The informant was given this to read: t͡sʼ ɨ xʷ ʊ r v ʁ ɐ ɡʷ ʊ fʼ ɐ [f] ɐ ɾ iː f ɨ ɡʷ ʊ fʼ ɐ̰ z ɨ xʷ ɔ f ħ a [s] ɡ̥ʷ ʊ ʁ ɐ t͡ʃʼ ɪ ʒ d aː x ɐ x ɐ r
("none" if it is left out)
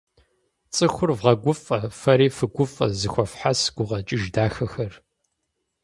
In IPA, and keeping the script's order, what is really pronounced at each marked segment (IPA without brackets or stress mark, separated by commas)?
f, s